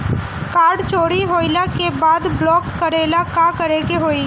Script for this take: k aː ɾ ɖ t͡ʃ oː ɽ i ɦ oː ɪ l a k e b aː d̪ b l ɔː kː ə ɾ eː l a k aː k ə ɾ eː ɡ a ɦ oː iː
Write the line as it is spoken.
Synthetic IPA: k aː ɾ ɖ t͡ʃ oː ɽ i ɦ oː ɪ l a k e b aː d̪ b l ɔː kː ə ɾ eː l a k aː k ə ɾ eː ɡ e ɦ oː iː